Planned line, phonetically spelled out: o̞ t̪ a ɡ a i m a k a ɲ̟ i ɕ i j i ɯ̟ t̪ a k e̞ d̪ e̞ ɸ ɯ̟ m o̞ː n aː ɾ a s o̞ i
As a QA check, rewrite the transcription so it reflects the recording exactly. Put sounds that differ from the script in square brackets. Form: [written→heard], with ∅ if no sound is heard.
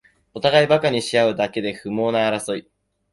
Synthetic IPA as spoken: o̞ t̪ a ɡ a i [m→b] a k a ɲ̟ i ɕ i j [i→a] ɯ̟ [t̪→d̪] a k e̞ d̪ e̞ ɸ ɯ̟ m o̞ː n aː ɾ a s o̞ i